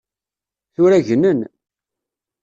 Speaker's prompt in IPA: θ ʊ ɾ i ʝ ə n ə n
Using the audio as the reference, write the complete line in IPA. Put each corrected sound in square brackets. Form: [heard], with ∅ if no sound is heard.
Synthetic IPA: θ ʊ ɾ [æ] ʝ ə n ə n